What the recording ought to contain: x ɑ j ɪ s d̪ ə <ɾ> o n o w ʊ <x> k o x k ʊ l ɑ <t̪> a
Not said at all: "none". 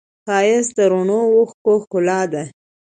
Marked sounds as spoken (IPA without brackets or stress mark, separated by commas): ɾ, x, d̪